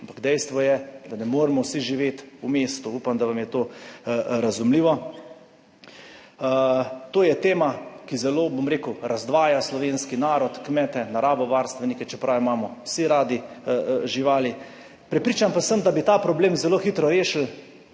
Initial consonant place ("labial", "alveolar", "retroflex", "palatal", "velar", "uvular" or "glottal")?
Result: labial